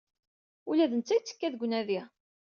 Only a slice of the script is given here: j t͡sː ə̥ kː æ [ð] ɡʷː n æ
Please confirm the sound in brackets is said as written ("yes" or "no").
yes